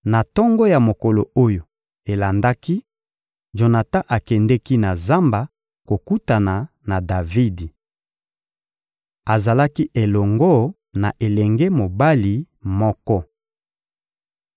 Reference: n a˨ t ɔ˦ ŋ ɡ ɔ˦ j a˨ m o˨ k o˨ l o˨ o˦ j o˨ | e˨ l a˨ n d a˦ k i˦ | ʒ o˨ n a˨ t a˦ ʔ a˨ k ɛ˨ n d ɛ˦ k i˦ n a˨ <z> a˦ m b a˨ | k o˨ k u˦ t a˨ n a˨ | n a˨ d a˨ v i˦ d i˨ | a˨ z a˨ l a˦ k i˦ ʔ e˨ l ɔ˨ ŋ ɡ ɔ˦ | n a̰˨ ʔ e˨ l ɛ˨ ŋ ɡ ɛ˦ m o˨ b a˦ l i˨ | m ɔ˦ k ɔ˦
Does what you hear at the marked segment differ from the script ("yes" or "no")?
no